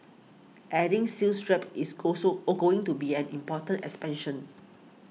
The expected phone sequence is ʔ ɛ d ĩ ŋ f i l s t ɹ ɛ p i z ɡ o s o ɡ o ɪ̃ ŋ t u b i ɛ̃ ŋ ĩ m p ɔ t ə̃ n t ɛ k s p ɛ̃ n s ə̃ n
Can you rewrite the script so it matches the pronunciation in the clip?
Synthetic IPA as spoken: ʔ ɛ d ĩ ŋ s i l s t ɹ ɛ p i s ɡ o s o ɡ o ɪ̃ ŋ t u b i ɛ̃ n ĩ m p ɔ t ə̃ n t ɛ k s p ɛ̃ n ʃ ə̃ n